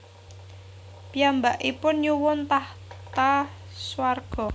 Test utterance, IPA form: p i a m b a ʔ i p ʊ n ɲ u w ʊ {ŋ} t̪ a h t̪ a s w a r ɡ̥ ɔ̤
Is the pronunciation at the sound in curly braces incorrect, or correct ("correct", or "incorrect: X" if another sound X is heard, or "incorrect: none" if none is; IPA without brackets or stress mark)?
incorrect: n